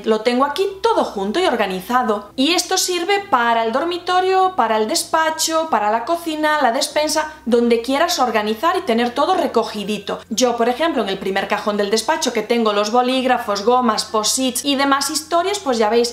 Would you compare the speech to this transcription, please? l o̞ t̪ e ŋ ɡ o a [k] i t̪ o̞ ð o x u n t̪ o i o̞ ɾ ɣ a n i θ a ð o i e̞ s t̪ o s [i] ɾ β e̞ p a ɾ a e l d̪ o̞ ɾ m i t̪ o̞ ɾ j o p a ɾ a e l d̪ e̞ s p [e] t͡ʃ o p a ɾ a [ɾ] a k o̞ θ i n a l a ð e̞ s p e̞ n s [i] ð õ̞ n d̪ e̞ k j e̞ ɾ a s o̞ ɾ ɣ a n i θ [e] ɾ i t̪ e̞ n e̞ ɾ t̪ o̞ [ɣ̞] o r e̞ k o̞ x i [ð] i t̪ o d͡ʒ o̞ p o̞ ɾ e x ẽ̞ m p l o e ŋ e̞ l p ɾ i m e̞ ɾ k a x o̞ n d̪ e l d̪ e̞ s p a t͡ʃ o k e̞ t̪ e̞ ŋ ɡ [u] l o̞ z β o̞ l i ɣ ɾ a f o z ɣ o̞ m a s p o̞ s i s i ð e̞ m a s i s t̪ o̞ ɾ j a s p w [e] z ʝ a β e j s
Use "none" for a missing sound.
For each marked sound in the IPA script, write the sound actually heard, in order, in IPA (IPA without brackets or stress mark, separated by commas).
k, i, a, l, a, a, ð̞, ð, o, e